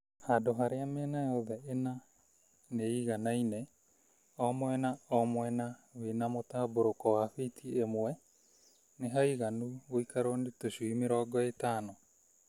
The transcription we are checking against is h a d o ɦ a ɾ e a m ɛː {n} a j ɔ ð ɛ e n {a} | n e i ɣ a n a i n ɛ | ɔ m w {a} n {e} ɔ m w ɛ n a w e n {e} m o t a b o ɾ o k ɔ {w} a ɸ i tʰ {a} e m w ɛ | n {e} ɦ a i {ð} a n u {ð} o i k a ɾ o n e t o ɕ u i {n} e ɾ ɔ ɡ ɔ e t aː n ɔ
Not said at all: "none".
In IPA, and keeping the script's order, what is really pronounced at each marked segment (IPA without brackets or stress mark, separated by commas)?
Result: n, a, ɛ, a, a, w, i, e, ɣ, ɣ, m